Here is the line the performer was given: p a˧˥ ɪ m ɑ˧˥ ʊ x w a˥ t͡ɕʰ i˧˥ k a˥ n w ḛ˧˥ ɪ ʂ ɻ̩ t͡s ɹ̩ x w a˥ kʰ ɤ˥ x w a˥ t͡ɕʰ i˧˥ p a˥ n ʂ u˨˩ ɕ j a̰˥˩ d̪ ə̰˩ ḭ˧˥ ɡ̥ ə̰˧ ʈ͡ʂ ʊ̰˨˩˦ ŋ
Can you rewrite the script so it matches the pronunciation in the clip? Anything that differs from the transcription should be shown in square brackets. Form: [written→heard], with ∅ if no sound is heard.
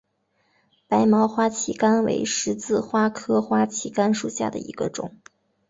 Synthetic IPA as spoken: p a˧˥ ɪ m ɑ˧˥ ʊ x w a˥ t͡ɕʰ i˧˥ k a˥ n w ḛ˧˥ ɪ ʂ ɻ̩ t͡s ɹ̩ x w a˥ kʰ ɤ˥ x w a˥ t͡ɕʰ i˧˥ [p→k] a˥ n ʂ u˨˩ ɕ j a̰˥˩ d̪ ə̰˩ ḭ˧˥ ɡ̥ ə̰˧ ʈ͡ʂ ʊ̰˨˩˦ ŋ